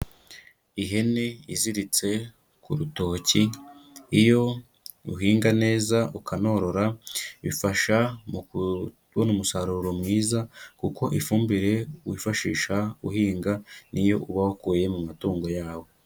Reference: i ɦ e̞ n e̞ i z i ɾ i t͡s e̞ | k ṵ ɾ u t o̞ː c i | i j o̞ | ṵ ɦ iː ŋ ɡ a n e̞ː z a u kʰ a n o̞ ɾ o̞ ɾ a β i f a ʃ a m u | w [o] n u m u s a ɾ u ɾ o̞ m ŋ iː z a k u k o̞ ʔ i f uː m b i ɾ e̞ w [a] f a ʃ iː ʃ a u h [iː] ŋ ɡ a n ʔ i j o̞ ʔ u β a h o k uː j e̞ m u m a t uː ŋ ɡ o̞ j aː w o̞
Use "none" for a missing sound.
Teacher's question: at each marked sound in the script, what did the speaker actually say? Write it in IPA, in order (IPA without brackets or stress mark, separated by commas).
o, i, iː